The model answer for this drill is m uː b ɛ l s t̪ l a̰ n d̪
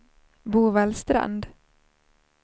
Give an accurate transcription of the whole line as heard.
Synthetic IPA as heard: b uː v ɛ l s t̪ ɾ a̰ n d̪

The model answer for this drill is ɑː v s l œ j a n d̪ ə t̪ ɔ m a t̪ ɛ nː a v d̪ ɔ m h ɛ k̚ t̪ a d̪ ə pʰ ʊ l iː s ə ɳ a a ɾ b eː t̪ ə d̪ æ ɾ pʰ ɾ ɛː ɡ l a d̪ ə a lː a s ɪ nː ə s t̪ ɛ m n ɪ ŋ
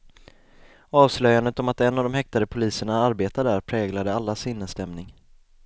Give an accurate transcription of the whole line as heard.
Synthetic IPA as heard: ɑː v s l œ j a n d̪ ə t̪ ɔ m a t̪ ɛ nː a v d̪ ɔ m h ɛ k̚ t̪ a d̪ ə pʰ ʊ l iː s ə ɳ a a ɾ b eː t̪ a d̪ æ ɾ pʰ ɾ ɛː ɡ l a d̪ ə a lː a s ɪ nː ə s t̪ ɛ m n ɪ ŋ

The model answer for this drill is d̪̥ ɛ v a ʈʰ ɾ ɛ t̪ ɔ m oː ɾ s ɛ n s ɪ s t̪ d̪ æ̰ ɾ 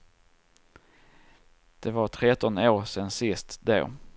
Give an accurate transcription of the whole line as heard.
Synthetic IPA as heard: d̪̥ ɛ v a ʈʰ ɾ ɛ t̪ ɔ n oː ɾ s ɛ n s ɪ s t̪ d̪ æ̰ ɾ

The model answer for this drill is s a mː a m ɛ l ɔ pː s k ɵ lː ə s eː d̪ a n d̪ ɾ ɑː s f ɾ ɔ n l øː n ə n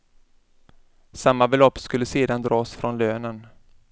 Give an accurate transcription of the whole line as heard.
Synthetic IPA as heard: s a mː a b ɛ l ɔ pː s k ɵ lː ə s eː d̪ a n d̪ ɾ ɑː s f ɾ ɔ n l øː n ə n

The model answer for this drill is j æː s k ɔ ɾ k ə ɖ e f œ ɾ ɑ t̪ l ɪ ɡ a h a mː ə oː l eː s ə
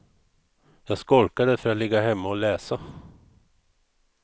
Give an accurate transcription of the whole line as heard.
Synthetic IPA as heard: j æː s k ɔ l k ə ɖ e f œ ɾ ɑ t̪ l ɪ ɡ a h ɛ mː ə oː l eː s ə

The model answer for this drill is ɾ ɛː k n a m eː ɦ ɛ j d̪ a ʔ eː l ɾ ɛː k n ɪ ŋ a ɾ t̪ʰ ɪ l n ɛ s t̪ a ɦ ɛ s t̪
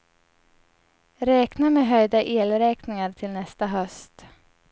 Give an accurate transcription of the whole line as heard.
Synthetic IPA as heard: ɾ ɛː k n a m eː ɦ œ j d̪ a ʔ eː l ɾ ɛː k n ɪ ŋ a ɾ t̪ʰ ɪ l n ɛ s t̪ a ɦ œ s t̪

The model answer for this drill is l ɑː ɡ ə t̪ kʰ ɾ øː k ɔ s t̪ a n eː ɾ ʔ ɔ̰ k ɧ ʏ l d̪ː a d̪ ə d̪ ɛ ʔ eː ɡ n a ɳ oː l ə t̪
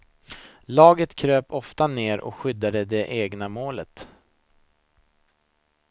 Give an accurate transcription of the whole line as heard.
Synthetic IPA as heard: l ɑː ɡ ə t̪ kʰ ɾ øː p ɔ f t̪ a n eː ɾ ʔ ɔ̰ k ɧ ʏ d̪ː a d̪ ə d̪ ɛ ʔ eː ɡ n a m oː l ə t̪

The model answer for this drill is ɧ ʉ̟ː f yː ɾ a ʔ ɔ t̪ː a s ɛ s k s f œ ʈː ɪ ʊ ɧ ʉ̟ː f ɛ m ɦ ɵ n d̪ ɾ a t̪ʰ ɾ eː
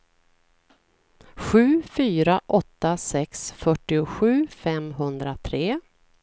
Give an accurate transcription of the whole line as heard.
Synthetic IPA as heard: ɧ ʉ̟ː f yː ɾ a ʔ ɔ t̪ː a s ɛ k s f œ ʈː ɪ ʊ ɧ ʉ̟ː f ɛ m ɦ ɵ n d̪ ɾ a t̪ʰ ɾ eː

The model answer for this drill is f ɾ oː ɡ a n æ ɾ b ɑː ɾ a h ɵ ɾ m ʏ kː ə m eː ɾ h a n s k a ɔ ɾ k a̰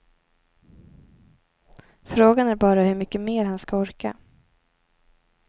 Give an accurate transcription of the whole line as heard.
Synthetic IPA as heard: f ɾ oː ɡ a n æ ɾ b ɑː ɾ a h ɵ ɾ m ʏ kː ə m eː ɾ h a n s k a ɔ ɾ k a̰

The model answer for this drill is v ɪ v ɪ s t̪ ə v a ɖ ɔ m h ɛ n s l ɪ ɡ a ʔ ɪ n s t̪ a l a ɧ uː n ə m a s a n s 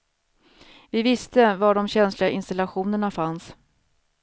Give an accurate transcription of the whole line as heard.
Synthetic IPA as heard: v ɪ v ɪ s t̪ ə v a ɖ ɔ m ɕ ɛ n s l ɪ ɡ a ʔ ɪ n s t̪ a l a ɧ uː n ə ɳ a f a n s

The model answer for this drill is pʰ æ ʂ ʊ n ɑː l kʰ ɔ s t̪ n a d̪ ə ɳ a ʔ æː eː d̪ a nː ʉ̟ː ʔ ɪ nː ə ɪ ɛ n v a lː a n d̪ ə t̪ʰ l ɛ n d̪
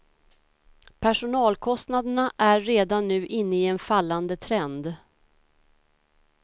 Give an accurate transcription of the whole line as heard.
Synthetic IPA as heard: pʰ æ ʂ ʊ n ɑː l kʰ ɔ s t̪ n a d̪ ə ɳ a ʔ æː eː d̪ a nː ʉ̟ː ʔ ɪ nː ə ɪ ɛ n f a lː a n d̪ ə t̪ʰ ɾ ɛ n d̪

